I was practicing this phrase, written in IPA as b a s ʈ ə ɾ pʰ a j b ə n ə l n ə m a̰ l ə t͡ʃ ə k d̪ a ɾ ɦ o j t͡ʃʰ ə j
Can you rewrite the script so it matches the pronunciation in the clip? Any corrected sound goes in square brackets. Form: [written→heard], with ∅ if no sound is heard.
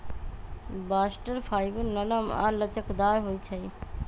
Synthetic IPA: b a s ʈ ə ɾ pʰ a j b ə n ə [l→∅] n ə m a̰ l ə t͡ʃ ə k d̪ a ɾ ɦ o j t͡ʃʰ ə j